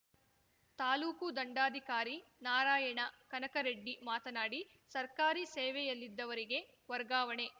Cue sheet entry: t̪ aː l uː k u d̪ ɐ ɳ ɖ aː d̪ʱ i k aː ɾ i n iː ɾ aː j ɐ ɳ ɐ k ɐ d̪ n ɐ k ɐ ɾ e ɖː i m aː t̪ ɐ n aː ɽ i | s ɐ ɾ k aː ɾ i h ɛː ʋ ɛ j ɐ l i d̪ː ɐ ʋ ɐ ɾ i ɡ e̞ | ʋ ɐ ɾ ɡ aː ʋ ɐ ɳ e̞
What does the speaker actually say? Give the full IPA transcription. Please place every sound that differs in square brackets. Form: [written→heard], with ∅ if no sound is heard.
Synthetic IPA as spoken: t̪ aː l uː k u d̪ ɐ ɳ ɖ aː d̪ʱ i k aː ɾ i n [iː→aː] ɾ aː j ɐ ɳ ɐ k ɐ [d̪→∅] n ɐ k ɐ ɾ e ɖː i m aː t̪ ɐ n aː ɽ i | s ɐ ɾ k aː ɾ i [h→s] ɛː ʋ ɛ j ɐ [l→lː] i d̪ː ɐ ʋ ɐ ɾ i ɡ e̞ | ʋ ɐ ɾ ɡ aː ʋ ɐ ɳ e̞